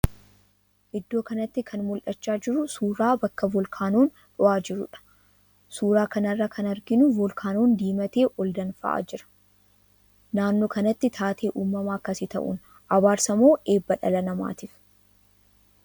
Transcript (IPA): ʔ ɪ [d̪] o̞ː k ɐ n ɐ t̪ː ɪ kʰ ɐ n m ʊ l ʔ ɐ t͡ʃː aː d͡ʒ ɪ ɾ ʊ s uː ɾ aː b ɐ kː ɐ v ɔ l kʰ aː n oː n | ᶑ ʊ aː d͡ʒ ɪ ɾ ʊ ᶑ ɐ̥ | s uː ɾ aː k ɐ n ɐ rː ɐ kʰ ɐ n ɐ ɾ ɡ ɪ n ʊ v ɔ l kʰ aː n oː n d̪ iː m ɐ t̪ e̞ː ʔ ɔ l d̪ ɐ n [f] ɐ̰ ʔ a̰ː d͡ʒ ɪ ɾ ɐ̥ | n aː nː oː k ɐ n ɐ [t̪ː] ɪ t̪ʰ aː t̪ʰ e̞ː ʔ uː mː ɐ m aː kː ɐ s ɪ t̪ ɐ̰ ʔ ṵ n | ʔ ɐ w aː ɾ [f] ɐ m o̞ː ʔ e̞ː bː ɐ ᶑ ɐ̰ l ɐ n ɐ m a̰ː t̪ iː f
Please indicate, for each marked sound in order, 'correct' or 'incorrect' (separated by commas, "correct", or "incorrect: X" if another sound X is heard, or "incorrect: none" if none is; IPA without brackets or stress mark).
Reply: incorrect: d̪ː, correct, correct, incorrect: s